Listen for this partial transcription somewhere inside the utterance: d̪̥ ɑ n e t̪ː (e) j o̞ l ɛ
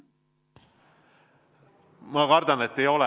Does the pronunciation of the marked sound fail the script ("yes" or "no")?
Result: no